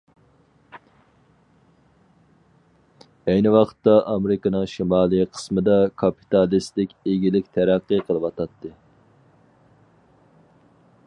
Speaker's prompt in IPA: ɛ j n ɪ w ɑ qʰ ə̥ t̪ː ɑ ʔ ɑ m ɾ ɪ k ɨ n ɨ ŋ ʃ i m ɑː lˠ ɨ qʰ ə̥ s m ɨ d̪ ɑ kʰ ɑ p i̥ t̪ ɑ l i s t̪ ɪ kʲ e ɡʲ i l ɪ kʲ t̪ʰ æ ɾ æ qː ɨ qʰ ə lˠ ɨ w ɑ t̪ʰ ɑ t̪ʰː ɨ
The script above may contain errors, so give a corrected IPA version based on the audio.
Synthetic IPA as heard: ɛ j n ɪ w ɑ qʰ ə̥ t̪ː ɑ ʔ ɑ m ɾ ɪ k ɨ n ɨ ŋ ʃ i m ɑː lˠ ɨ qʰ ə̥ s m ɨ d̪ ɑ kʰ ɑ p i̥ t̪ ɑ l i s t̪ ɪ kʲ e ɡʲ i l ɪ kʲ t̪ʰ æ ɾ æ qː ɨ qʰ ə lˠ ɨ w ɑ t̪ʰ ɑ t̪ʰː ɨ